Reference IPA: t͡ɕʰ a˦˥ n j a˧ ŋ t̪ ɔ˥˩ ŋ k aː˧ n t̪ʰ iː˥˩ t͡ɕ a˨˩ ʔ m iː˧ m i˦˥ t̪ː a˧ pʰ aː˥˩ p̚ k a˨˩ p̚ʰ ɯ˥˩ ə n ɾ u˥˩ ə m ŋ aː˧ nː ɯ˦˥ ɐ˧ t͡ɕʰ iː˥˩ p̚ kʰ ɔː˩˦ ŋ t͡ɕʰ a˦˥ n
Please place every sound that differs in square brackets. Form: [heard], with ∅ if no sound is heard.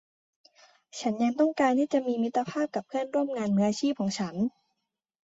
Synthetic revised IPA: t͡ɕʰ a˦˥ n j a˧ ŋ t̪ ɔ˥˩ ŋ k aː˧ n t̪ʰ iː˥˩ t͡ɕ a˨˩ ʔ m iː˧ m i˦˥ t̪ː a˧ pʰ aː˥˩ p̚ k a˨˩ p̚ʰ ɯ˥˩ ə n ɾ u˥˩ ə m ŋ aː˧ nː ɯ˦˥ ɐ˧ t͡ɕʰ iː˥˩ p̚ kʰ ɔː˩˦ ŋ t͡ɕʰ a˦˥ n